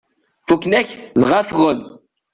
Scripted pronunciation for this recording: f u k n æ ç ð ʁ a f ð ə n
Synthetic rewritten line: f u k n æ ç ð ʁ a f ʁ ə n